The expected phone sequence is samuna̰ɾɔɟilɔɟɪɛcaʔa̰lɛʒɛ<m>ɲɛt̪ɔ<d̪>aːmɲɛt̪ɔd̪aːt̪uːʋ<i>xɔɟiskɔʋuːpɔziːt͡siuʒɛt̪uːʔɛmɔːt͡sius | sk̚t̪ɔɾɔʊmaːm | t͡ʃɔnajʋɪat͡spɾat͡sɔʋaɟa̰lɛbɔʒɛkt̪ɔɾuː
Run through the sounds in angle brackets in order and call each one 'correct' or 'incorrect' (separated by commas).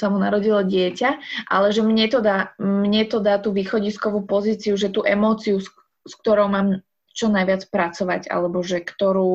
correct, correct, incorrect